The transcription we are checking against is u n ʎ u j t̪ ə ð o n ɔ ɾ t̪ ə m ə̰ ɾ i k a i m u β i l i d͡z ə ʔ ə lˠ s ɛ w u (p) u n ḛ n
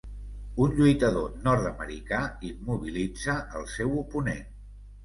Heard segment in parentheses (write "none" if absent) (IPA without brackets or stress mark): p